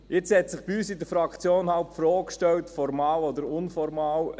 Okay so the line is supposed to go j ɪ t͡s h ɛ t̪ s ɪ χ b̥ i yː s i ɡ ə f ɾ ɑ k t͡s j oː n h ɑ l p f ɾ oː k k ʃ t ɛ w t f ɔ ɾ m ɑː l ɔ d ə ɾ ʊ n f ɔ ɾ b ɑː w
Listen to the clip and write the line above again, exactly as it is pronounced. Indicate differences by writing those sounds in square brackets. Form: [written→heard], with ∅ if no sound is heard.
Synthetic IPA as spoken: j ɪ t͡s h ɛ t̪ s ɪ χ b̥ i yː s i [ɡ→d] ə f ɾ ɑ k t͡s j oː n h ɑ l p f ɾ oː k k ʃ t ɛ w t f ɔ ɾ m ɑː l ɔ d ə ɾ ʊ n f ɔ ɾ [b→m] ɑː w